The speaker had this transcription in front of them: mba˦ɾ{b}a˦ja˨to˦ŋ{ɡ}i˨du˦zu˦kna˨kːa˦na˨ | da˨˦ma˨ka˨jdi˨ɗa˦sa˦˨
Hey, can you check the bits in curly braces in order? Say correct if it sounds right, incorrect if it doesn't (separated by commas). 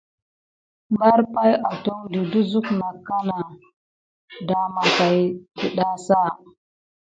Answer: incorrect, incorrect